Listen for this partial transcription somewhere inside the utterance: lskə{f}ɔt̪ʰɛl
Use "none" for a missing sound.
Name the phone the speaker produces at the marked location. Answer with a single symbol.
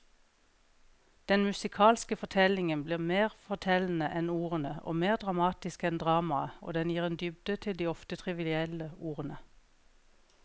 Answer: f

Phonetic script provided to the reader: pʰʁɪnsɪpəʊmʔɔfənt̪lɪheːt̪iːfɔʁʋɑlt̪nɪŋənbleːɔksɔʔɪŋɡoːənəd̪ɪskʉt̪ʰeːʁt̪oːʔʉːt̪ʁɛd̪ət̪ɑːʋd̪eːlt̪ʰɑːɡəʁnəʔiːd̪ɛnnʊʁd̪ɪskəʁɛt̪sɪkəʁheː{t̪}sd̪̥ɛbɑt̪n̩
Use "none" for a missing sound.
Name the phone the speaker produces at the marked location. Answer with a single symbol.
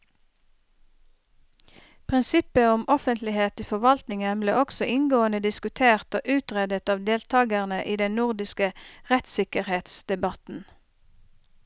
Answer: t̪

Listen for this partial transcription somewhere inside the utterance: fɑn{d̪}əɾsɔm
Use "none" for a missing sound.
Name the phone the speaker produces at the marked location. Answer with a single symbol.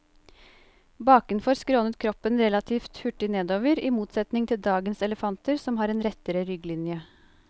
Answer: t̪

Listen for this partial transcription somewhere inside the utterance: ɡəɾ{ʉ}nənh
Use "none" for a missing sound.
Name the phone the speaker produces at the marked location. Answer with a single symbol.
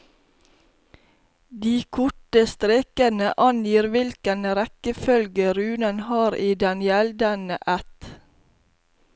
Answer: ʉː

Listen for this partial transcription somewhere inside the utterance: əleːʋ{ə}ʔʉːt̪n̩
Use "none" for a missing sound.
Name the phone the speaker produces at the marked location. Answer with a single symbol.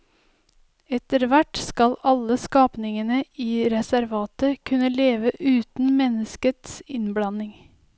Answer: ə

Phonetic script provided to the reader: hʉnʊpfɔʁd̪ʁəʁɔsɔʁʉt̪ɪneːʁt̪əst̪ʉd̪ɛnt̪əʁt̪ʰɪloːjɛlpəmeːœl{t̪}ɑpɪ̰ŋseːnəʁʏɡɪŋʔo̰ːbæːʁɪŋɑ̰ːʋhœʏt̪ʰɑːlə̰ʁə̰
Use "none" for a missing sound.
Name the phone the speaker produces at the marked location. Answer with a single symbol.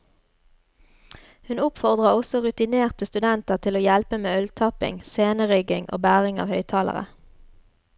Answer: t̪ʰ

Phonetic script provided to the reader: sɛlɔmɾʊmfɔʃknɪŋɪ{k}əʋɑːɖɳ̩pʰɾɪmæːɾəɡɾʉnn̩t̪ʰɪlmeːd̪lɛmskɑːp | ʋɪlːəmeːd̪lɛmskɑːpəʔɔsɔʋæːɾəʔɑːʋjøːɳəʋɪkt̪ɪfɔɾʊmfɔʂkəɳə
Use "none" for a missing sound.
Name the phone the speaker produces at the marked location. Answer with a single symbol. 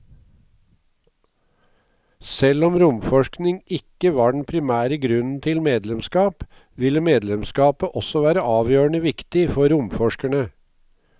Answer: k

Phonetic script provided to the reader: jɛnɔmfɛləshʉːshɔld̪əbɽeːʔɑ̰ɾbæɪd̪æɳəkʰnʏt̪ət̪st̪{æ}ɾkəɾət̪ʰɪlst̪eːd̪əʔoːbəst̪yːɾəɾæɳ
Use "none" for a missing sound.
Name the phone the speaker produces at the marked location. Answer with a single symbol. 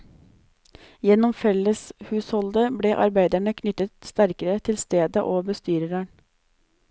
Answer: æ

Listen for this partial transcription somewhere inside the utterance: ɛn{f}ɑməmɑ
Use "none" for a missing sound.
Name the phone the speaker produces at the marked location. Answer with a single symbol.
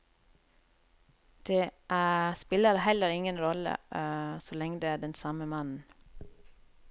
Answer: s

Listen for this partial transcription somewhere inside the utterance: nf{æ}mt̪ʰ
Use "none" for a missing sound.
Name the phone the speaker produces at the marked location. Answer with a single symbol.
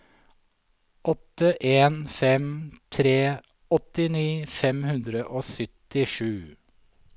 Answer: ɛ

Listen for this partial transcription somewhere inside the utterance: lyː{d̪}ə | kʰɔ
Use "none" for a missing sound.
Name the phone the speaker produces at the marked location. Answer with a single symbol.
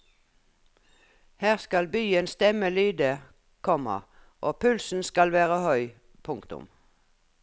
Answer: d̪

